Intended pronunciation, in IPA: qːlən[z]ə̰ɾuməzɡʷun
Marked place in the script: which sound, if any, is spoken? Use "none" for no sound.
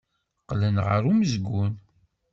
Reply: ʁ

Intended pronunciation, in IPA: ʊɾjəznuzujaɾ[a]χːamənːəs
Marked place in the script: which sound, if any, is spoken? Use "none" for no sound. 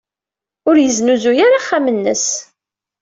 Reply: a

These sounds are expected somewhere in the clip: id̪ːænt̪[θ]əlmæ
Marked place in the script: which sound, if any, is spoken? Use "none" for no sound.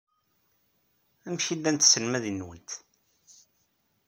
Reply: s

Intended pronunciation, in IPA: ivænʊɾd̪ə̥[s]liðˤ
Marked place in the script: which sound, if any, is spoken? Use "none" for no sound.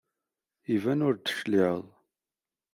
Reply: ʃ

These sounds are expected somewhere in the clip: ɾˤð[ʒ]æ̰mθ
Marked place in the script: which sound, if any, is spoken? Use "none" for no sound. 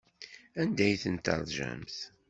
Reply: ʒ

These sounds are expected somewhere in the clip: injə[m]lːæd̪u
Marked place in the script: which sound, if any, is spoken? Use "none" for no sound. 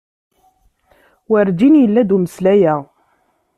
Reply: none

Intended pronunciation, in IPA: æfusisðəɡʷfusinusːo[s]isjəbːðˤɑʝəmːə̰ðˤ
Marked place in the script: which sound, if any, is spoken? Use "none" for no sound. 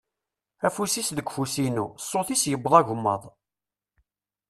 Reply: θ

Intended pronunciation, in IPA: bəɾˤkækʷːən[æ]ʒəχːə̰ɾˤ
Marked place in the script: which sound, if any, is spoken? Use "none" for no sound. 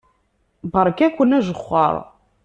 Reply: æ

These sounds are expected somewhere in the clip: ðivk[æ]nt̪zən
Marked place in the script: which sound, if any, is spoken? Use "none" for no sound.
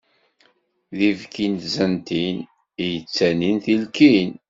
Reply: i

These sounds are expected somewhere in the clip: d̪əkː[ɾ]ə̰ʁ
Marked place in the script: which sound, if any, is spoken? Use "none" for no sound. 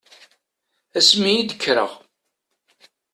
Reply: ɾ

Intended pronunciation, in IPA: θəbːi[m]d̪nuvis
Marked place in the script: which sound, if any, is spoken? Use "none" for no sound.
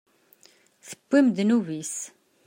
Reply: m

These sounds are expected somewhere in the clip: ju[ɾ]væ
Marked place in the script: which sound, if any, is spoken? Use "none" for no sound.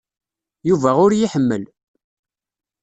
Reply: none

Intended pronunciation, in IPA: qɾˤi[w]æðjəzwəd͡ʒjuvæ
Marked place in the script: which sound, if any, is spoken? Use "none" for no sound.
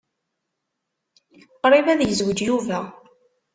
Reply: v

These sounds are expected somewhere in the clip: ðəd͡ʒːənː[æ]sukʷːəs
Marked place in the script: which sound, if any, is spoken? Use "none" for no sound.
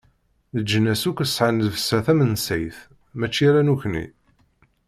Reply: æ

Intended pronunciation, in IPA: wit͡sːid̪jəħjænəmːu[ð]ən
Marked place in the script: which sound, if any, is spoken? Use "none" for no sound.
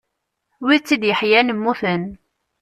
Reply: θ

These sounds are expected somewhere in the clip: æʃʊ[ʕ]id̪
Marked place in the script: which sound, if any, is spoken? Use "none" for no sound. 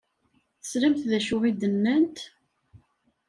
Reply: ʁ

